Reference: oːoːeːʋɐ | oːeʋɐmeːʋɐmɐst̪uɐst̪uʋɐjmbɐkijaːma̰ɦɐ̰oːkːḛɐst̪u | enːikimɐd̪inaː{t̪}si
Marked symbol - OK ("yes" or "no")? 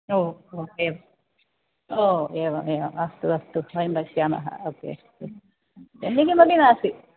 no